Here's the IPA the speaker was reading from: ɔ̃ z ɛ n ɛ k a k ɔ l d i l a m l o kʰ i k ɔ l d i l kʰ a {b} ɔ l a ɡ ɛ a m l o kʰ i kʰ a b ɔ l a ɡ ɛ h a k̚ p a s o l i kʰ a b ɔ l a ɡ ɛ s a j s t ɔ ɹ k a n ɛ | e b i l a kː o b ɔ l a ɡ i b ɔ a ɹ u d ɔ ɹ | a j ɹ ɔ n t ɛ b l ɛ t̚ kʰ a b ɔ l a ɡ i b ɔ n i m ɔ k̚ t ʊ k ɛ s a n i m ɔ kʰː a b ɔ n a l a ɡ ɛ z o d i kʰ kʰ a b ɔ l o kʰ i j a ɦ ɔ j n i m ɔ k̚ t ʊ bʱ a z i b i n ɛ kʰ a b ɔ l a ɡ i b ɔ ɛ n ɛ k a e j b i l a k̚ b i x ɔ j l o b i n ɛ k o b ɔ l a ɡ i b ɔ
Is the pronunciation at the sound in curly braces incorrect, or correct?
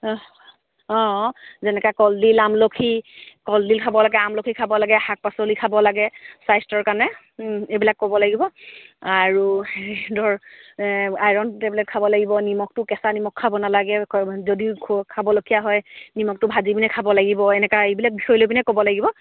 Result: correct